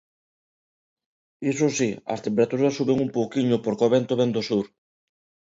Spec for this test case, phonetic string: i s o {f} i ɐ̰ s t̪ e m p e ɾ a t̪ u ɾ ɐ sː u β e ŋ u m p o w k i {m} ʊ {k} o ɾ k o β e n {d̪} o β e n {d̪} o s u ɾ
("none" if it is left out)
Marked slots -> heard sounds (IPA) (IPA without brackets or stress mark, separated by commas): s, ɲ, p, t̪, d̪